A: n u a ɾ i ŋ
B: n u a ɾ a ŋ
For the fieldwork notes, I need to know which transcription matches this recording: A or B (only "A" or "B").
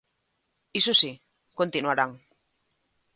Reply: B